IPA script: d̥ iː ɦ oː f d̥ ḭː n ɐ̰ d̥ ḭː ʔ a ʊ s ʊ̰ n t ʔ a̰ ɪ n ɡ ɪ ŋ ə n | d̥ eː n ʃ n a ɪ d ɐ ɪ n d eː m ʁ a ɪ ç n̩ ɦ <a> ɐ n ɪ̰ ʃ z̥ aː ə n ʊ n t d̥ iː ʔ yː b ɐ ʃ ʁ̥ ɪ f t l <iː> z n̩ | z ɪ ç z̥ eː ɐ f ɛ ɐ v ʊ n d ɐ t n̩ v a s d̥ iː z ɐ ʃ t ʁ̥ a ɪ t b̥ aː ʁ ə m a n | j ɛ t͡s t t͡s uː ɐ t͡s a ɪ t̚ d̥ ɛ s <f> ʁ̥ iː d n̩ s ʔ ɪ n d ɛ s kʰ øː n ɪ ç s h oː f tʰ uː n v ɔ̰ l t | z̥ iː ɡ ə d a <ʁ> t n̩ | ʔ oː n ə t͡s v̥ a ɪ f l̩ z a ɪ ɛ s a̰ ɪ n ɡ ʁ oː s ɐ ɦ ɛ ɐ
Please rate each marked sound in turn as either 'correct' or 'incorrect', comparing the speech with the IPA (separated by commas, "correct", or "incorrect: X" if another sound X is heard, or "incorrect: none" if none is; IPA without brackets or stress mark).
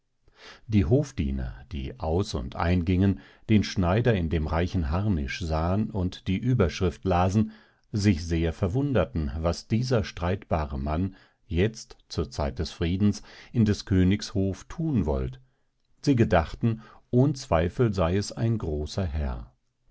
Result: correct, incorrect: aː, correct, incorrect: χ